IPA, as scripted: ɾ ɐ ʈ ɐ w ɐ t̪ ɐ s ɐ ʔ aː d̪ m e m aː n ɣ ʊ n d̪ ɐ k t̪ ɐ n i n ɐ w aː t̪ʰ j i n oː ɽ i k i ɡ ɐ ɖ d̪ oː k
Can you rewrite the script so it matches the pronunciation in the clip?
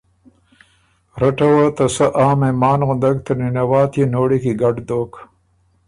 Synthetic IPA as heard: ɾ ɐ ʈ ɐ w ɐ t̪ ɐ s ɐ ʔ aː m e m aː n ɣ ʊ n d̪ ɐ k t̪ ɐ n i n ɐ w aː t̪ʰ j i n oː ɽ i k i ɡ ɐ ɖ d̪ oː k